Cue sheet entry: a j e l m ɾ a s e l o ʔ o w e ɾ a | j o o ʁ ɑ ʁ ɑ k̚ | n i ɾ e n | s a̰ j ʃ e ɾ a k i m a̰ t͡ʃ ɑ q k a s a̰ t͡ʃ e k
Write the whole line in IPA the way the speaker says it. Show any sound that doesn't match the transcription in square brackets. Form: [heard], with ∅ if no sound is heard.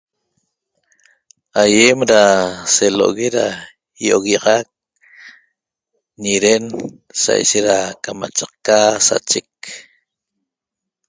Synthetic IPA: a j e [∅] m ɾ a s e l o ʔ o [ɣ] e ɾ a | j o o [ɣ] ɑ ʁ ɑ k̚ | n i ɾ e n | s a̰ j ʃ e ɾ a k [a] m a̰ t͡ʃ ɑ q k a s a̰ t͡ʃ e k